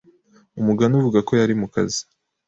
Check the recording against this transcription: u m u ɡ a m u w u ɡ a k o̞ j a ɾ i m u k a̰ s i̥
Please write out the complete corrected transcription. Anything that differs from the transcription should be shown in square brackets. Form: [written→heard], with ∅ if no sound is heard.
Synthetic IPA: u m u ɡ a [m→n] u [w→v] u ɡ a k o̞ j a ɾ i m u k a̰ [s→z] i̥